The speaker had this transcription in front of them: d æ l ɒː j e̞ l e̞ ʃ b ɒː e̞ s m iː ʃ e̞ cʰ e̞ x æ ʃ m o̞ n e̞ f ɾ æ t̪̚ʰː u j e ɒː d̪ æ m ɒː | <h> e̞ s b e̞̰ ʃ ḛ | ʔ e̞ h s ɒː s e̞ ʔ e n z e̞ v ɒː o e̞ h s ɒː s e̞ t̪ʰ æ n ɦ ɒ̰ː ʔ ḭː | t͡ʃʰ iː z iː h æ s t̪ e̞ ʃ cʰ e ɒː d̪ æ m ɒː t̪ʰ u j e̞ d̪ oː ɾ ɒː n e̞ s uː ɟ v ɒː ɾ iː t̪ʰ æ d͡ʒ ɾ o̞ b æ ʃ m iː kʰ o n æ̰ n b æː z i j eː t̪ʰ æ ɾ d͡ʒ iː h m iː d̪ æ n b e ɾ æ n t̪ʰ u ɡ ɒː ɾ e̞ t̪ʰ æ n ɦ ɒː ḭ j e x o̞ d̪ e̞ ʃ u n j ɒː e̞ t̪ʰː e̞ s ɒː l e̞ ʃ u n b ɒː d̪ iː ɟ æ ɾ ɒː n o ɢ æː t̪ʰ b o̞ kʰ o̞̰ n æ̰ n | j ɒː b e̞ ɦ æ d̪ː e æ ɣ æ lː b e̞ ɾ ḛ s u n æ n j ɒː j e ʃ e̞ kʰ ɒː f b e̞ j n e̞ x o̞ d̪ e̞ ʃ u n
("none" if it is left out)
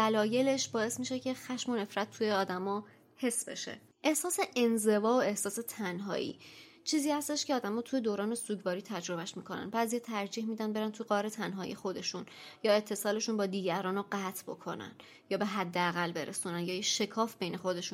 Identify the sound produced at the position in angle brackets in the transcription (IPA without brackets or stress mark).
h